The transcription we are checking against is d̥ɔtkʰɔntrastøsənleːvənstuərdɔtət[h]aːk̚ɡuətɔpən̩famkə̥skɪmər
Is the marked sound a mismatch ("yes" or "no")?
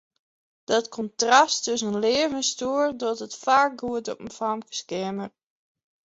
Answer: yes